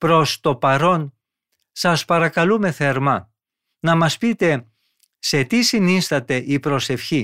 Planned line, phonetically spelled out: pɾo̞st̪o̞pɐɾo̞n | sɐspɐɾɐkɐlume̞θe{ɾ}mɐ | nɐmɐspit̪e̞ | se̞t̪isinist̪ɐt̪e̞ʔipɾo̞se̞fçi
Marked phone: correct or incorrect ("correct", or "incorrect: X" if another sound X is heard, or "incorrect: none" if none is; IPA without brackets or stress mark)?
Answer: correct